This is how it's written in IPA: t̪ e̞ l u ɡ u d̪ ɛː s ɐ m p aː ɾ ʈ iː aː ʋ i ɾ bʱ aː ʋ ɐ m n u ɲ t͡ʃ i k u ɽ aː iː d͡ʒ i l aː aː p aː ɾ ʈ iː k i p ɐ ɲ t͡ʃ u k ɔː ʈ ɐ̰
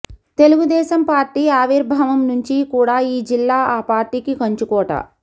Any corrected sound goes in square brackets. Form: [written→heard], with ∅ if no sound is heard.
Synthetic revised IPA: t̪ e̞ l u ɡ u d̪ ɛː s ɐ m p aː ɾ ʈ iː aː ʋ i ɾ bʱ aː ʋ ɐ m n u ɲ t͡ʃ i k [u→uː] ɽ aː iː d͡ʒ i [l→lː] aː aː p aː ɾ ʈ iː k i [p→k] ɐ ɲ t͡ʃ u k ɔː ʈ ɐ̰